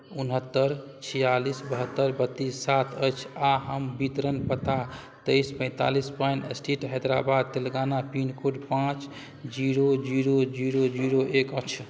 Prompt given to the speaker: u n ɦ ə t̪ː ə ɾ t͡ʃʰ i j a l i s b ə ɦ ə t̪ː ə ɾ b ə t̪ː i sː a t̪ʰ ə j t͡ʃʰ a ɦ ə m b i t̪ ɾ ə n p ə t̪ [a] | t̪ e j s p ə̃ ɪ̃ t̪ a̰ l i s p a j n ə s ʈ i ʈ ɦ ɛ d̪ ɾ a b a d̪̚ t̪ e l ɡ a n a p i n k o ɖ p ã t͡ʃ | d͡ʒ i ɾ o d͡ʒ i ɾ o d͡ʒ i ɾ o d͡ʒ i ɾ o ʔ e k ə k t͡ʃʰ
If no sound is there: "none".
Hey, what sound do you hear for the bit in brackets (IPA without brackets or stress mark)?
a